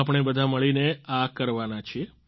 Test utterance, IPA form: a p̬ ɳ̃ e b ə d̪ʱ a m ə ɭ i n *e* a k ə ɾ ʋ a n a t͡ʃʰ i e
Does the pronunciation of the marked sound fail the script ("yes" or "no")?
no